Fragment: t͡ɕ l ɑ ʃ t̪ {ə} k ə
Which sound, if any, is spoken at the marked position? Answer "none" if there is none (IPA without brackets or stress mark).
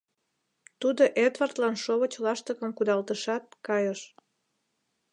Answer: ə